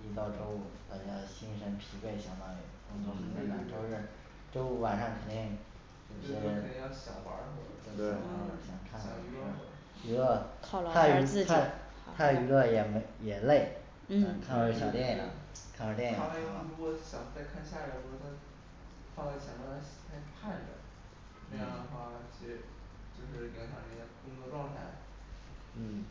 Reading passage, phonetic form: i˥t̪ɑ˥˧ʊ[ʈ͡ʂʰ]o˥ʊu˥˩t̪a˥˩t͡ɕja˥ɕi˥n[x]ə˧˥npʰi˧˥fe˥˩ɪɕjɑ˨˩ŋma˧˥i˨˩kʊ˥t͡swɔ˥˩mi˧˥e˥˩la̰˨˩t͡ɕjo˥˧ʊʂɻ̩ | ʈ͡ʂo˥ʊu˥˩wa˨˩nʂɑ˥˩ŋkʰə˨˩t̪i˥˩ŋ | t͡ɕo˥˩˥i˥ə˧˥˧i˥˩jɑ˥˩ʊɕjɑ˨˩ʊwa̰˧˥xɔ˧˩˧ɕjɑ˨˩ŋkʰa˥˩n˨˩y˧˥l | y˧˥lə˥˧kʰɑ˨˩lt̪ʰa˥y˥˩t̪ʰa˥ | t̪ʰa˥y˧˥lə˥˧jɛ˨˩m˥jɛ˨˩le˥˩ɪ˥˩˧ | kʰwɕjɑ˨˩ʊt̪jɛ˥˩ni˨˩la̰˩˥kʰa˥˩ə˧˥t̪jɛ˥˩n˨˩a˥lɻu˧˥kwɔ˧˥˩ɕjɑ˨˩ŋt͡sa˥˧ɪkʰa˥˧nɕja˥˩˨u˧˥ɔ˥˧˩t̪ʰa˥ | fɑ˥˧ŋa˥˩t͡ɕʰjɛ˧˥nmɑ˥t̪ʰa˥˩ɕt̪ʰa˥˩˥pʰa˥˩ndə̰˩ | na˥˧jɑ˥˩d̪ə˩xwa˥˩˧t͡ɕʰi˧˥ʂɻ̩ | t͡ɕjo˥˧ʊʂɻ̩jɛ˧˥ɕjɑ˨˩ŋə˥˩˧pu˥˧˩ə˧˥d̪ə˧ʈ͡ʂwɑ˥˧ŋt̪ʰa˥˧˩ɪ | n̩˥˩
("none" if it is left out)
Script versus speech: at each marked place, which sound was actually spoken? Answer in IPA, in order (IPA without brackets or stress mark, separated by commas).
ʈ͡ʂ, ʂ